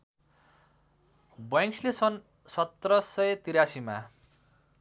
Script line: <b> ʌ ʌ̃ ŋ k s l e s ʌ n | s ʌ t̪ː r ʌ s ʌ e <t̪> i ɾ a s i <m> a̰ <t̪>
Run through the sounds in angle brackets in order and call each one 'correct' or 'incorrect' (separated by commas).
correct, correct, correct, incorrect